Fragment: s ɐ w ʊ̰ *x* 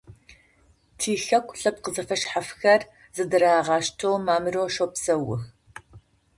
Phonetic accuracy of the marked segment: correct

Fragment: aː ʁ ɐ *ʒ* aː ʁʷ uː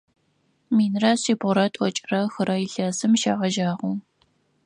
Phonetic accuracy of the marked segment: correct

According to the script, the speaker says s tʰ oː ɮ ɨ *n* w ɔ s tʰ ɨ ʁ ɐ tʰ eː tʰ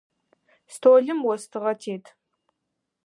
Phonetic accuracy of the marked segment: incorrect: m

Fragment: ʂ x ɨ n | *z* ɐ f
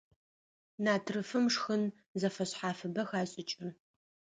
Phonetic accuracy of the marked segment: correct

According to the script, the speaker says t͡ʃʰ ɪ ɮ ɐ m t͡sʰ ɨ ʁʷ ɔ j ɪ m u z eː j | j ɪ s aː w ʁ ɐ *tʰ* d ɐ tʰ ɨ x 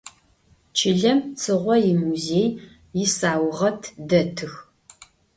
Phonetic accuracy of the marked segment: correct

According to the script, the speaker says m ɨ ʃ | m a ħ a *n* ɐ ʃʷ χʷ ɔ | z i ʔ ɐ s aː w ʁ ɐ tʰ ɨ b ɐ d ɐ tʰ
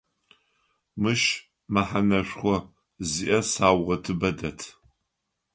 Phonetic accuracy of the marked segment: correct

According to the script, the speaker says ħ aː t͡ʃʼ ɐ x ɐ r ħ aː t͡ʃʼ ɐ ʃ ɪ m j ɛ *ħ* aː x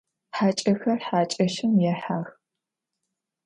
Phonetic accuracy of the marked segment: correct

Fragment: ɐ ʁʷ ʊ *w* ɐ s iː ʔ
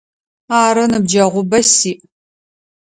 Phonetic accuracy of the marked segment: incorrect: b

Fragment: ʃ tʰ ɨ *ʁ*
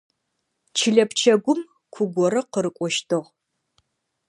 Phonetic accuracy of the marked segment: correct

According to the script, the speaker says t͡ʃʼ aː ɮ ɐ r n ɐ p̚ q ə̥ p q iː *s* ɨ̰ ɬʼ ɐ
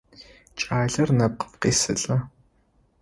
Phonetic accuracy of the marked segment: correct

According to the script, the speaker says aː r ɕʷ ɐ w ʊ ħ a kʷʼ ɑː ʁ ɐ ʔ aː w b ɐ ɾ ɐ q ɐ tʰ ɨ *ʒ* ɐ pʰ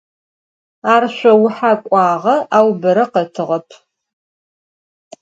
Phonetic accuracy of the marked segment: incorrect: ʁ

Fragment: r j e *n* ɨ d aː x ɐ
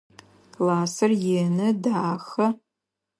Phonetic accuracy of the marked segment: correct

